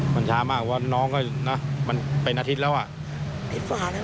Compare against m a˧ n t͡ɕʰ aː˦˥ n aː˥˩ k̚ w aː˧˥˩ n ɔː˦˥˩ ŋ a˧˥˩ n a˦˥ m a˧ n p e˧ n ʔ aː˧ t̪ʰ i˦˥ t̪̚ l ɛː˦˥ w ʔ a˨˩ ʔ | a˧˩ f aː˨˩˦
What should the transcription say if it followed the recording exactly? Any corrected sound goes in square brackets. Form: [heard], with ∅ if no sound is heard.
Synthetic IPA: m a˧ n t͡ɕʰ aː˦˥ [m] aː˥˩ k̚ w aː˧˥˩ n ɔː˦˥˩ ŋ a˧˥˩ n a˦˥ m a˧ n p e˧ n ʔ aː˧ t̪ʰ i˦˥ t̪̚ l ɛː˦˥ w ʔ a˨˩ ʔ | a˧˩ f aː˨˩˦